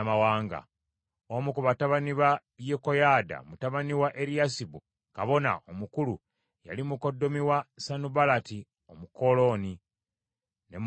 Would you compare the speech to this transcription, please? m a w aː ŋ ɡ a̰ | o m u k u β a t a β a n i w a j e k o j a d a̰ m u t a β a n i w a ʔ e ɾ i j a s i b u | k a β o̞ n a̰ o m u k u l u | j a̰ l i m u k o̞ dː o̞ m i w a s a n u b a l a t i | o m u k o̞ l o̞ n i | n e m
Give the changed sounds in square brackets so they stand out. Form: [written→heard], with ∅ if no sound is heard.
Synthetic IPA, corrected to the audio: m a w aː ŋ ɡ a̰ | o m u k u β a t a β a n i [w→β] a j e k o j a d a̰ m u t a β a n i w a ʔ e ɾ i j a s i b u | k a β o̞ n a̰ o m u k u l u | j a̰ l i m u k o̞ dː o̞ m i w a s a n u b a l a t i | o m u k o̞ l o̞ n i | n e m

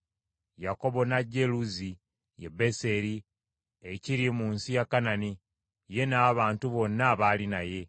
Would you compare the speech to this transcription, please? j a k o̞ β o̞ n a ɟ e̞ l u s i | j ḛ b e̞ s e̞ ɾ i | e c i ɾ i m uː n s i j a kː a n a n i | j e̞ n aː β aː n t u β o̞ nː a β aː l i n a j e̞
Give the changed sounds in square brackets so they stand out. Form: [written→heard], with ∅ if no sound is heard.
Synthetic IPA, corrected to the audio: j a k o̞ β o̞ n a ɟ e̞ l u [s→z] i | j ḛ b e̞ s e̞ ɾ i | e c i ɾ i m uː n s i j a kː a n a n i | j e̞ n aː β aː n t u β o̞ nː a β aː l i n a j e̞

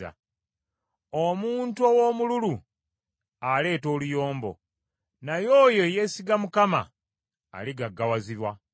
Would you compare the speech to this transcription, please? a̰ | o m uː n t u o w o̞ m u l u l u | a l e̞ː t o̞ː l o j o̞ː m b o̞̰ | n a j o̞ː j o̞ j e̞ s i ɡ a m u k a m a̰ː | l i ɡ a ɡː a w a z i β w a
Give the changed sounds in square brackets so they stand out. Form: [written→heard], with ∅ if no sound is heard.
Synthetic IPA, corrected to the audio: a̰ | o m uː n t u o w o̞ m u l u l u | a l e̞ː t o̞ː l [o→u] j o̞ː m b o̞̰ | n a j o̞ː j o̞ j e̞ s i ɡ a m u k a m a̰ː | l i ɡ a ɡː a w a z i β w a

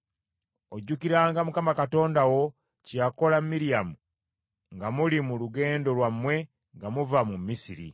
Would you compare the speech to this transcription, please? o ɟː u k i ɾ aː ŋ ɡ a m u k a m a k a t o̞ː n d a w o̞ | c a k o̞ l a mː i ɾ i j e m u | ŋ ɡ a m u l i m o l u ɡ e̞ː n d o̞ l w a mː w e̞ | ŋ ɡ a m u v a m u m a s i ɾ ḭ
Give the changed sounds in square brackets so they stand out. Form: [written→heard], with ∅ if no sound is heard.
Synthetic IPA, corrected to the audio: o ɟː u k i ɾ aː ŋ ɡ a m u k a m a k a t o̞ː n d a w o̞ | c a k o̞ l a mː i ɾ i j [e→a] m u | ŋ ɡ a m u l i m [o→u] l u ɡ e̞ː n d o̞ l w a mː w e̞ | ŋ ɡ a m u v a m u m [a→i] s i ɾ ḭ

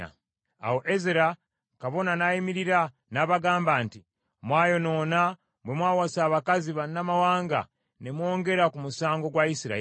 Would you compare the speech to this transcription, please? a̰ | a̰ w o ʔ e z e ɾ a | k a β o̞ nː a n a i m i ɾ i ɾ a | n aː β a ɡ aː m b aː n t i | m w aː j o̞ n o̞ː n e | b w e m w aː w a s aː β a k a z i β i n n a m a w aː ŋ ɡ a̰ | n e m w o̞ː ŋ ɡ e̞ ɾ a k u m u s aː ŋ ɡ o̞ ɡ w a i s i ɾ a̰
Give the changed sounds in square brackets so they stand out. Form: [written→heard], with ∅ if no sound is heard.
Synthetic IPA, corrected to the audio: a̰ | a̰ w o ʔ e z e ɾ a | k a β o̞ [nː→n] a n a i m i ɾ i ɾ a | n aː β a ɡ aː m b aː n t i | m w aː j o̞ n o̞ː n [e→a] | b w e m w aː w a s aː β a k a z i β [i→a] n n a m a w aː ŋ ɡ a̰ | n e m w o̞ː ŋ ɡ e̞ ɾ a k u m u s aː ŋ ɡ o̞ ɡ w a i s i ɾ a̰

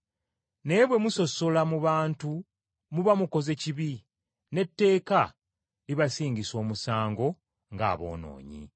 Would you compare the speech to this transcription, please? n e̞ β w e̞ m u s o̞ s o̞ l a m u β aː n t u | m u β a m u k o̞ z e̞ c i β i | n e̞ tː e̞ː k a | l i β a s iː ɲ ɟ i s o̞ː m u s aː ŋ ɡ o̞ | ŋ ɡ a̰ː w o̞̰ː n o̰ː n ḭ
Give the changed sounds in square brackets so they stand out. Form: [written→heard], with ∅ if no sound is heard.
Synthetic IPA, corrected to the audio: n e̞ β w e̞ m u s o̞ s o̞ l a m u β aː n t u | m u β a m u k o̞ z e̞ c i β i | n e̞ tː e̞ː k a | l i β a s iː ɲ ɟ i s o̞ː m u s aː ŋ ɡ o̞ | ŋ ɡ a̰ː [w→β] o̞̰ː n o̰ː [n→ɲ] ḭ

